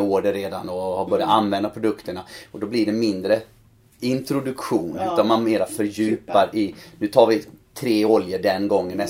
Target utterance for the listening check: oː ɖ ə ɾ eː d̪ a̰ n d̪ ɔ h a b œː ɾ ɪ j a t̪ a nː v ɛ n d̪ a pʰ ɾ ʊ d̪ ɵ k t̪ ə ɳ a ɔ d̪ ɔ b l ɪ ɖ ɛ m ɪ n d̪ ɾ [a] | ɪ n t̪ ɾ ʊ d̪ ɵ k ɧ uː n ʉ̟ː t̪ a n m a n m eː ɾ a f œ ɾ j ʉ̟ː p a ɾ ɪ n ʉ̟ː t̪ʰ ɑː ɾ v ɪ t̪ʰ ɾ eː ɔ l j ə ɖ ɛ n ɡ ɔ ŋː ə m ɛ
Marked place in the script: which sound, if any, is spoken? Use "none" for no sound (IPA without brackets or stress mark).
ə